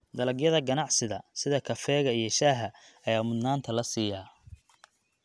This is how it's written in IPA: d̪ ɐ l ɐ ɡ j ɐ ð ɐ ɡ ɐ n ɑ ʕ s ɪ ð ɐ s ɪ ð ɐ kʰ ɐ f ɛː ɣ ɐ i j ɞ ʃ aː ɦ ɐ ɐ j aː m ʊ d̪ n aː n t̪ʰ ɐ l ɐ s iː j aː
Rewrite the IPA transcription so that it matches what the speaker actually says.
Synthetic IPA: d̪ ɐ l ɐ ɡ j ɐ ð ɐ ɡ ɐ n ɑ ʕ s ɪ ð ɐ s ɪ ð ɐ kʰ ɐ f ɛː ɣ ɐ i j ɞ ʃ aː ɦ ɐ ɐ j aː m ʊ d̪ n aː n t̪ʰ ɐ l ɐ s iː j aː